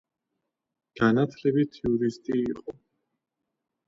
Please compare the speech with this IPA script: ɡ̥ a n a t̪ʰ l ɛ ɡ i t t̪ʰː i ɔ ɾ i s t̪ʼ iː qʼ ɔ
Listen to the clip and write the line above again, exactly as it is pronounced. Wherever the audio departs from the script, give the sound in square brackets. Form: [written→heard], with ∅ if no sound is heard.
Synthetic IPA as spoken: ɡ̥ a n a t̪ʰ l ɛ [ɡ→b] i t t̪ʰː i [ɔ→u] ɾ i s t̪ʼ iː qʼ ɔ

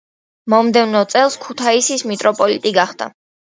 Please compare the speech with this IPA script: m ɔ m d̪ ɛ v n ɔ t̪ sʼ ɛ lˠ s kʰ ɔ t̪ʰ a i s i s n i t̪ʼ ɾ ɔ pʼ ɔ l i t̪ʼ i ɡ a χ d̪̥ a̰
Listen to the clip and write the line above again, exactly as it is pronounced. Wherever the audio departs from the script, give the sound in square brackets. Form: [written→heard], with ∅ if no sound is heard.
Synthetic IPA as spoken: m ɔ m d̪ ɛ v n ɔ t̪ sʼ ɛ lˠ s kʰ [ɔ→u] t̪ʰ a i s i s [n→m] i t̪ʼ ɾ ɔ pʼ ɔ l i t̪ʼ i ɡ a χ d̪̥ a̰

